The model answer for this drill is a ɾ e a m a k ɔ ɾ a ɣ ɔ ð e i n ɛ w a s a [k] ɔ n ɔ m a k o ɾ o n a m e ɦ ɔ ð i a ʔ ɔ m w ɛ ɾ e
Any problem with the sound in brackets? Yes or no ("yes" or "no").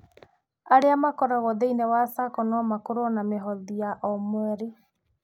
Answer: no